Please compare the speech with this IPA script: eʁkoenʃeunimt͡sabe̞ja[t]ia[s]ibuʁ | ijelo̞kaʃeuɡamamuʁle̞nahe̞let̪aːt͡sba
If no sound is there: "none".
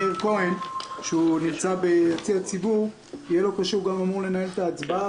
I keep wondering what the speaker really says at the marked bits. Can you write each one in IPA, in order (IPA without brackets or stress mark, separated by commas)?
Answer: t͡s, t͡s